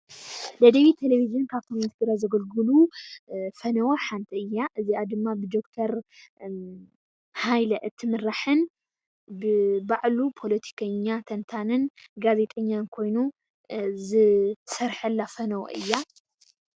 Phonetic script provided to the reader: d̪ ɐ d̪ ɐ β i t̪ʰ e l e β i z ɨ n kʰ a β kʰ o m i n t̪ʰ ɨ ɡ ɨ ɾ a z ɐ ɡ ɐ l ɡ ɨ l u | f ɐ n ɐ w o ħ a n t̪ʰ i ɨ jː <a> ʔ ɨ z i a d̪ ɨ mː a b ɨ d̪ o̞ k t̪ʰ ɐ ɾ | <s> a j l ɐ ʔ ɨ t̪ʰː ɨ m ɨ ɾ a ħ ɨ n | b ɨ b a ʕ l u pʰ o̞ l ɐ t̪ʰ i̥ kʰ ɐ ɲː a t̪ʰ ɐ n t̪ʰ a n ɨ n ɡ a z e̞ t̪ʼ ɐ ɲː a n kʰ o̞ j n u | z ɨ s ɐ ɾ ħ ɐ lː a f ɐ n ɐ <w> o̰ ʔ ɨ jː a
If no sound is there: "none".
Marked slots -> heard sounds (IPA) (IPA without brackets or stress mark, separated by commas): a, h, w